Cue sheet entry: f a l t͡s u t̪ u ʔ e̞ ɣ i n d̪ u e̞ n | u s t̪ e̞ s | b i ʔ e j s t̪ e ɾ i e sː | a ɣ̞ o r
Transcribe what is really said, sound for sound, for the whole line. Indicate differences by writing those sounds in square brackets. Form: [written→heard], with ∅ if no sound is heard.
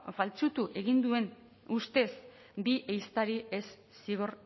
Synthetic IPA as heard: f a l t͡s u t̪ u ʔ e̞ ɣ i n d̪ u e̞ n | u s t̪ e̞ s | b i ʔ e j s t̪ [e→a] ɾ i e sː | [a→i] ɣ̞ o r